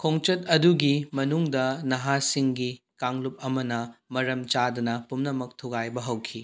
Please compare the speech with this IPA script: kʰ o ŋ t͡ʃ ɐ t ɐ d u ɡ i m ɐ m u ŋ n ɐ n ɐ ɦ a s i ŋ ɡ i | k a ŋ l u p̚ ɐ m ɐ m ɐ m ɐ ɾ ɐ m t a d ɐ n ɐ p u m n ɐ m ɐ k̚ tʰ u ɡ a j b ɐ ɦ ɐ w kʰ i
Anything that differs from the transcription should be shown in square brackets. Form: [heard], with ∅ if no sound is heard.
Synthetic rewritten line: kʰ o ŋ t͡ʃ ɐ t ɐ d u ɡ i m ɐ [n] u ŋ [d] ɐ n ɐ ɦ a s i ŋ ɡ i | k a ŋ l u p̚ ɐ m ɐ [n] ɐ m ɐ ɾ ɐ m [t͡ʃ] a d ɐ n ɐ p u m n ɐ m ɐ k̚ tʰ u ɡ a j b ɐ ɦ ɐ w kʰ i